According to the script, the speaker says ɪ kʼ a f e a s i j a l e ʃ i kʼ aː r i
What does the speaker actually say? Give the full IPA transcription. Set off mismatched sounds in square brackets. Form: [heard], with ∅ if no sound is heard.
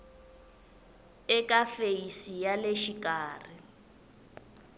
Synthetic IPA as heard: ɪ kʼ a f e [i] s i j a l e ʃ i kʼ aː r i